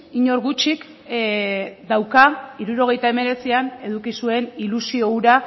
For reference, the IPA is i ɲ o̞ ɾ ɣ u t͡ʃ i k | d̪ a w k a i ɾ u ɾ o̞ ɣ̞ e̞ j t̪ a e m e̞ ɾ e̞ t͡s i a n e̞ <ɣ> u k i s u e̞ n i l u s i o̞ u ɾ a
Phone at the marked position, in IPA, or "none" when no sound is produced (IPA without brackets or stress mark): ð